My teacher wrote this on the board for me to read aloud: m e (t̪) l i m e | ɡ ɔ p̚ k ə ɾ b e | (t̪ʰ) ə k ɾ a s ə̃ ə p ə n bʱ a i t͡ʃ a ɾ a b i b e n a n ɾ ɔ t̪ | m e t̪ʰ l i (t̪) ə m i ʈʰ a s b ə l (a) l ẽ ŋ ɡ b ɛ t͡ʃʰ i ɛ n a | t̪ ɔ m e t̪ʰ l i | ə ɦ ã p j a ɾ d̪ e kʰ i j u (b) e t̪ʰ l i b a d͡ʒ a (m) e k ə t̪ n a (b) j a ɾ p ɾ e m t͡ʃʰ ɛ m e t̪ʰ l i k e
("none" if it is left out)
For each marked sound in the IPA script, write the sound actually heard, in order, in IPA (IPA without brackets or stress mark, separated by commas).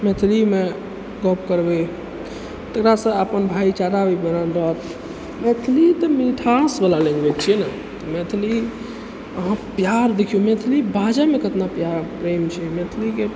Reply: t̪ʰ, t̪, t̪, a, m, m, p